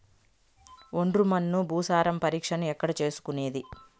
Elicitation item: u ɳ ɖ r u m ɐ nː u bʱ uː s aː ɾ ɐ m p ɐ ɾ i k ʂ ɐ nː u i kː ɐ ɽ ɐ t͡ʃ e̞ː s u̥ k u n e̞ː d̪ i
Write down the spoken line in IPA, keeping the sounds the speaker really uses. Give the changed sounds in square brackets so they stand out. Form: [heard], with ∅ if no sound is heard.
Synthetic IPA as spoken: [o] ɳ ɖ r u m ɐ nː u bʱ uː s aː ɾ ɐ m p ɐ ɾ [iː] k ʂ ɐ [n] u [ɛ] kː ɐ ɽ ɐ t͡ʃ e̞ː s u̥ k u n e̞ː d̪ i